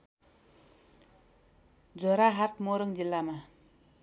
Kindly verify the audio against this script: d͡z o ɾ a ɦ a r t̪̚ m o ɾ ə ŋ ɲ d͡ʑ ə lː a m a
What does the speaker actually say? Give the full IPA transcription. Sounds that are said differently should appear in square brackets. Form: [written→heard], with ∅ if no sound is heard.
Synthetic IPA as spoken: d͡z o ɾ a ɦ a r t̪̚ m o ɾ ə ŋ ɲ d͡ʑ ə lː a m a